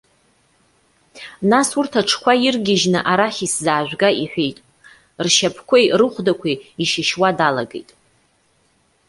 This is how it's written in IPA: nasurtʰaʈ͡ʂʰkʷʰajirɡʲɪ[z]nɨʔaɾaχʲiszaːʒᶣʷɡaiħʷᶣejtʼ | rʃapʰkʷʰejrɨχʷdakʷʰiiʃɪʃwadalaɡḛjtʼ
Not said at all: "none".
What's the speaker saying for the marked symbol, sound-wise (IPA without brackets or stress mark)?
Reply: ʒ